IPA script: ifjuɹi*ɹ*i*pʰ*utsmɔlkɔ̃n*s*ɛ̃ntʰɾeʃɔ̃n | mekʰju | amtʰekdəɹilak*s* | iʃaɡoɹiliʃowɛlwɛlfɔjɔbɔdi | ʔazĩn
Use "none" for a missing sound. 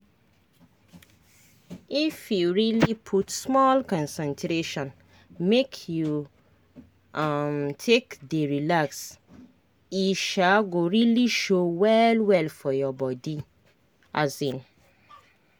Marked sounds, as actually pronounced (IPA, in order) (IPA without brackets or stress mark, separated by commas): l, pʰ, s, s